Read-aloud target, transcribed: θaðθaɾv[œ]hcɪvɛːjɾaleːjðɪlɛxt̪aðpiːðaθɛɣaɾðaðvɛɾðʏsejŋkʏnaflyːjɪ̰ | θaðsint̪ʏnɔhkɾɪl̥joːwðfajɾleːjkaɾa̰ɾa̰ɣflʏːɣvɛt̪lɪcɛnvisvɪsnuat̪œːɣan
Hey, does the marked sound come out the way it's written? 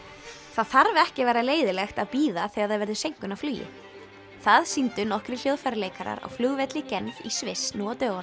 no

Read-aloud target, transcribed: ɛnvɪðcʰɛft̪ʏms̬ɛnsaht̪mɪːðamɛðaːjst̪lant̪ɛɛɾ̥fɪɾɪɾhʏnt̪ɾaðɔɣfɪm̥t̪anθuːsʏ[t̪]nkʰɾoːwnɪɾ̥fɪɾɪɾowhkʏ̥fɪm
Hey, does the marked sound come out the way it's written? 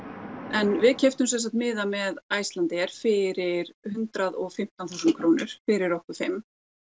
no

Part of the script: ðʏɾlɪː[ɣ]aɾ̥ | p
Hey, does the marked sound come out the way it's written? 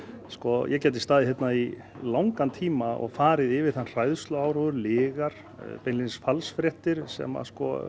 yes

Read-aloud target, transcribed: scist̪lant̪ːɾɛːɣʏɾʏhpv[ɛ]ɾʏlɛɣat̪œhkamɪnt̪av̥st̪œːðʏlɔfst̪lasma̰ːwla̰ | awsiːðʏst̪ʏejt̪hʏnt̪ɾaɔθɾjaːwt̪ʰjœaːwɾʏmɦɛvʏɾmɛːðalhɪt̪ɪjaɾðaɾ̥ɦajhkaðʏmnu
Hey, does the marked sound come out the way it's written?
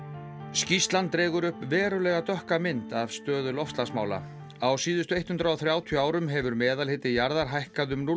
no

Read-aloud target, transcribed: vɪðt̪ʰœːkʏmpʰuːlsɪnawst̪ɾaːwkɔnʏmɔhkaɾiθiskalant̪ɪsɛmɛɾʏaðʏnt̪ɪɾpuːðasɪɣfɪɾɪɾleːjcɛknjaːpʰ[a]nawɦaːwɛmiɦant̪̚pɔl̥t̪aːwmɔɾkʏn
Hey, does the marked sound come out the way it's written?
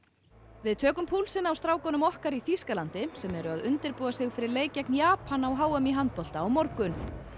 yes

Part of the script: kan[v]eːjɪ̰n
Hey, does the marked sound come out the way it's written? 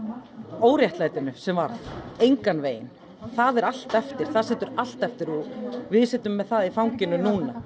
yes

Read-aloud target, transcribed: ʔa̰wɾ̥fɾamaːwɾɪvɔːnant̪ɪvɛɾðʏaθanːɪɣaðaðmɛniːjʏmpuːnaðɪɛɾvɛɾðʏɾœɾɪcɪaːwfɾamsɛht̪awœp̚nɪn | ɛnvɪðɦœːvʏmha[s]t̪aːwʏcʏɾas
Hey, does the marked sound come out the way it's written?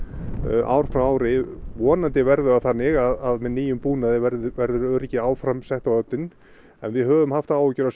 no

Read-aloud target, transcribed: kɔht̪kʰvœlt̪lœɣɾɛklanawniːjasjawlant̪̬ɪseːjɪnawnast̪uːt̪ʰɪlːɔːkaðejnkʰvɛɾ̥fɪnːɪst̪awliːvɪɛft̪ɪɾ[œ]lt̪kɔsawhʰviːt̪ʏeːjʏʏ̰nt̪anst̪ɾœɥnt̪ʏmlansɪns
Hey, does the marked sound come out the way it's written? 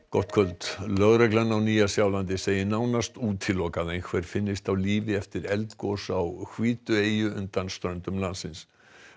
no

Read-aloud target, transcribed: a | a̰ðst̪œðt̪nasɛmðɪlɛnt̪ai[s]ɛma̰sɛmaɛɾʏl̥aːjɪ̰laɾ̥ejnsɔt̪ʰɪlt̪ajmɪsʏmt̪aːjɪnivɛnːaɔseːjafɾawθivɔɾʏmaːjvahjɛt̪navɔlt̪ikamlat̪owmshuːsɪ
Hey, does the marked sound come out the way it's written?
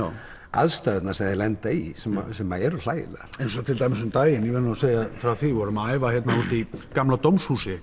yes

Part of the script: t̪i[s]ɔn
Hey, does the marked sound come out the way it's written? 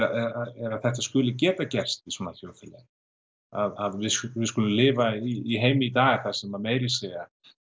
yes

